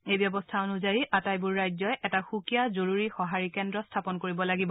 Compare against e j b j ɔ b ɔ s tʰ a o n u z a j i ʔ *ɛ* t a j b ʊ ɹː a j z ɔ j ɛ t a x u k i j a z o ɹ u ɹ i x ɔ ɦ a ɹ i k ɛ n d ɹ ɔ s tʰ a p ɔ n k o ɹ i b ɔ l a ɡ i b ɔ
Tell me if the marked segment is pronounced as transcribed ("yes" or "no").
no